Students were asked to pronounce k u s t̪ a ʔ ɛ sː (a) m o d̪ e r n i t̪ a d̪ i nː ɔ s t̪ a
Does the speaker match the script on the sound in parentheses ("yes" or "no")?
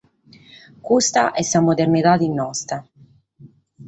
yes